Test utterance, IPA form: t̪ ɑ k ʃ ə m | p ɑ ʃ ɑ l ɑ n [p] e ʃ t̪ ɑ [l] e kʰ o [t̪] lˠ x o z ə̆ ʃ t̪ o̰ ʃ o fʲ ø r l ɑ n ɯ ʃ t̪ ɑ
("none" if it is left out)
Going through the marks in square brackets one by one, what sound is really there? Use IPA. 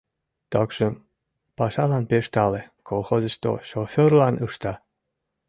p, l, none

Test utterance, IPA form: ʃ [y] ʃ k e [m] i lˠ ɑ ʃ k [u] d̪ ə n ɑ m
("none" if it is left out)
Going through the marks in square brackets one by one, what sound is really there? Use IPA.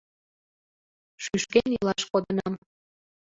y, n, o

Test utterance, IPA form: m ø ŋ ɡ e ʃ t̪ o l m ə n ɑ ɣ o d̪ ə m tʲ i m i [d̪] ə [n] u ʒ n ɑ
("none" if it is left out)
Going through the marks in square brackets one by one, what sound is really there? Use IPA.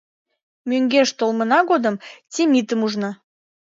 t̪, m

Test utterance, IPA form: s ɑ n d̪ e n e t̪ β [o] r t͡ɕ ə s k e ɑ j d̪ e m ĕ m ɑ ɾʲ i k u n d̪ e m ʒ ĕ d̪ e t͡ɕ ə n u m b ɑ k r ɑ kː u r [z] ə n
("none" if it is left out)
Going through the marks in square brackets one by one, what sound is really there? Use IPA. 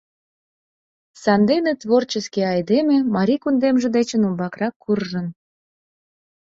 o, ʒ

